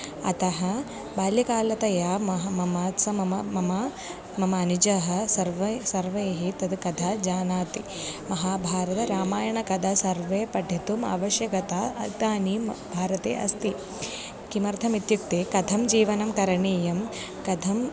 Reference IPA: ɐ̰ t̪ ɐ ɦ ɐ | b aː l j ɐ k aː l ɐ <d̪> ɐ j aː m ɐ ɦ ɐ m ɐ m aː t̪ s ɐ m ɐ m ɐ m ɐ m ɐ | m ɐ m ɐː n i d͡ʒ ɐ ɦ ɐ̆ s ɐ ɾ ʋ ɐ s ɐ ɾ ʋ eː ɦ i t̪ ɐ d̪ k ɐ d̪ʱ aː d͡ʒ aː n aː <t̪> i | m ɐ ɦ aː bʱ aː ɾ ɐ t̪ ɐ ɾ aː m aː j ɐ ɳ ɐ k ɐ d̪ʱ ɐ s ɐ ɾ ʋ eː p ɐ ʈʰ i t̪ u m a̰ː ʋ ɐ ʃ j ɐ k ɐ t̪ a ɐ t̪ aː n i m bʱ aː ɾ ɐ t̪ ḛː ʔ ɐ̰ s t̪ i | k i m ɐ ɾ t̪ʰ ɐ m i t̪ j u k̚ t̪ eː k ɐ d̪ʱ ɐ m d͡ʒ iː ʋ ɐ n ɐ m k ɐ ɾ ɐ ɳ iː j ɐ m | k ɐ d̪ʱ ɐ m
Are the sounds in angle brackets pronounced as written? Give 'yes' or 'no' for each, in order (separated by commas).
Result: no, yes